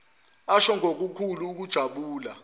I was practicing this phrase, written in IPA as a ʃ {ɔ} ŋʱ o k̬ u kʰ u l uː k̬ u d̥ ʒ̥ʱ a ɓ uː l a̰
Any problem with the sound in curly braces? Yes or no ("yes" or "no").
no